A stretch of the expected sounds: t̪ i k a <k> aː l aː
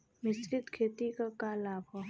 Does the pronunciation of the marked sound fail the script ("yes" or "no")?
no